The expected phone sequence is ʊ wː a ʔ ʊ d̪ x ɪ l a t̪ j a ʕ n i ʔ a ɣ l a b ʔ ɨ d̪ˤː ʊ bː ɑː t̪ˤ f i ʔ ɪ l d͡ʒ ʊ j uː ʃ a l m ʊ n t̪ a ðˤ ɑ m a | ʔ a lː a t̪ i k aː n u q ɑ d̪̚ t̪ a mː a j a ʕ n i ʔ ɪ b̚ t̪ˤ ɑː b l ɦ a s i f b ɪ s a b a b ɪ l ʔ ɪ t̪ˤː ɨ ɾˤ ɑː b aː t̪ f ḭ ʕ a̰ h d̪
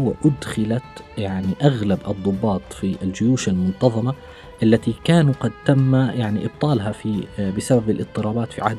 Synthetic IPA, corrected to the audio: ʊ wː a ʔ ʊ d̪ x ɪ l a t̪ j a ʕ n i ʔ a ɣ l a b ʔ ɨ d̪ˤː ʊ bː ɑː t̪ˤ f i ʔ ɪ l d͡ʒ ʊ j uː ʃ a l m ʊ n t̪ ɑ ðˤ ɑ m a | ʔ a lː a t̪ i k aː n u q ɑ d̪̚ t̪ a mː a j a ʕ n i ʔ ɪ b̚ t̪ˤ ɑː l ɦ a f i b ɪ s a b a b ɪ l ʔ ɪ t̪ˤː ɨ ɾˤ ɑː b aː t̪ f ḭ ʕ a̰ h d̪